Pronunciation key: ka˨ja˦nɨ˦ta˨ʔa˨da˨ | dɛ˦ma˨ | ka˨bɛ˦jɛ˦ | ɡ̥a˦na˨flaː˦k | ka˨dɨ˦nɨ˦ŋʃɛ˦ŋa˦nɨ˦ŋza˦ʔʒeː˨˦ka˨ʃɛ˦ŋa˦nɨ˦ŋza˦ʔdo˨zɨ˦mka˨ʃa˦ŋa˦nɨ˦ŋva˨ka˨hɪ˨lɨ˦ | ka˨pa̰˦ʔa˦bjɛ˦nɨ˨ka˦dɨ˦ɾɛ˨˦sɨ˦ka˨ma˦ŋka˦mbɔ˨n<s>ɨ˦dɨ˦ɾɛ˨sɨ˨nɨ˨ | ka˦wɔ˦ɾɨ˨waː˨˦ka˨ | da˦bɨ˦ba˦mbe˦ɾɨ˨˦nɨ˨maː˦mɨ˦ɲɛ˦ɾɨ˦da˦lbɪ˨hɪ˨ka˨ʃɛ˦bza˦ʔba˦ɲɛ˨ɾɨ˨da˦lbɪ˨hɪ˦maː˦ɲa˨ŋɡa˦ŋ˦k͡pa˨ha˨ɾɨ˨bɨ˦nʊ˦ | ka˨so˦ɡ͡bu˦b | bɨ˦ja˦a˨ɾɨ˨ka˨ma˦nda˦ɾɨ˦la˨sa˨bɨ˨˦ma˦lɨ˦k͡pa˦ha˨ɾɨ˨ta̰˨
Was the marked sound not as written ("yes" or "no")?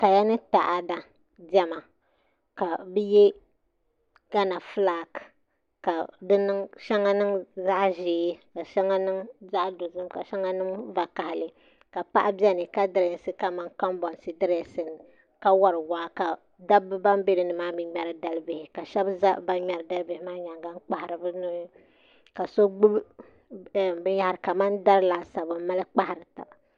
no